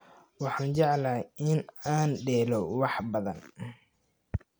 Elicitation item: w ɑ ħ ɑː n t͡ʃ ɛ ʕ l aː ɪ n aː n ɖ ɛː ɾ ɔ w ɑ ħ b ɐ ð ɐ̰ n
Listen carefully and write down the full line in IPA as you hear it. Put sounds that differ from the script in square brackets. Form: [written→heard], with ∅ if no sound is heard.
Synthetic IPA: w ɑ ħ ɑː n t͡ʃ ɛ ʕ l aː ɪ n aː n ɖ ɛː [ɾ→l] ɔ w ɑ ħ b ɐ ð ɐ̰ n